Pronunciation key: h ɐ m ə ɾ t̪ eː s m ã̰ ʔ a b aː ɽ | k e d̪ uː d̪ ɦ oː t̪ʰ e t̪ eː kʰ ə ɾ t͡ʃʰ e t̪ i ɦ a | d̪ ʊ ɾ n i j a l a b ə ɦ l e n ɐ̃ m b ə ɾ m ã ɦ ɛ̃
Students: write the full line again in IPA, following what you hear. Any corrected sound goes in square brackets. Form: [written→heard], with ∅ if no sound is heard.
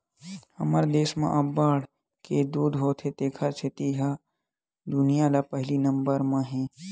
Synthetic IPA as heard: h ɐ m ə ɾ [t̪→d̪] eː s m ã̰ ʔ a b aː ɽ | k e d̪ uː d̪ ɦ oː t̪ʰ e t̪ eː kʰ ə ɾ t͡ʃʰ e t̪ i ɦ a | d̪ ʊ [ɾ→∅] n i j a l a [b→p] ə ɦ l [e→i] n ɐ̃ m b ə ɾ m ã ɦ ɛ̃